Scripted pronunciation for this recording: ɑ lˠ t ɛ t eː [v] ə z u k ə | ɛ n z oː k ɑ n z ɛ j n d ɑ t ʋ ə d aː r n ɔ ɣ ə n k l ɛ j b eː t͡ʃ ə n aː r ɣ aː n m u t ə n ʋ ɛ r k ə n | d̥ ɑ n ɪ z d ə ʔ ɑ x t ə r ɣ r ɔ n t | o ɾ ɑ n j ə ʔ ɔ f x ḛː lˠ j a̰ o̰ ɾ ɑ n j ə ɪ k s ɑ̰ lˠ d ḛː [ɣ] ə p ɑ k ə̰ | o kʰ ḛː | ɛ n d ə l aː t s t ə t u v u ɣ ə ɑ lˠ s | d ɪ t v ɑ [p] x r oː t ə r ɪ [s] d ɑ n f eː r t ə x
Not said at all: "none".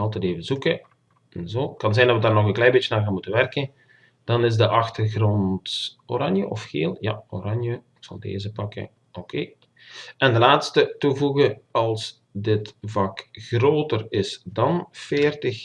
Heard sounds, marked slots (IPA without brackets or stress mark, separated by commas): v, z, k, s